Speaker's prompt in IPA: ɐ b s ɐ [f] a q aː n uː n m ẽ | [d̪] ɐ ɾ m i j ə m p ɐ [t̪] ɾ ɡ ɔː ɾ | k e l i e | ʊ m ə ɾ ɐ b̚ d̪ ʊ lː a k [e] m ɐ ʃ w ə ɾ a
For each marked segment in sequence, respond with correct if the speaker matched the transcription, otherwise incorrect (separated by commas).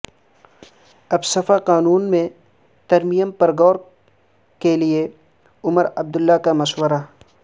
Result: correct, incorrect, incorrect, incorrect